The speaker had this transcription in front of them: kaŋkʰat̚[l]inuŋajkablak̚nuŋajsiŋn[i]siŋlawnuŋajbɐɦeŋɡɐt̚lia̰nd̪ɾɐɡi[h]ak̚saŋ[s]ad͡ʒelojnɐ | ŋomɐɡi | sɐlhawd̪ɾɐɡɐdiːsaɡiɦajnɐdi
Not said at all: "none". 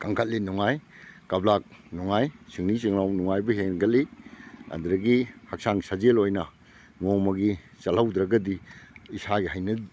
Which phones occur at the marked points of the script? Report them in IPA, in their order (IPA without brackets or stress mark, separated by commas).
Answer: l, i, h, s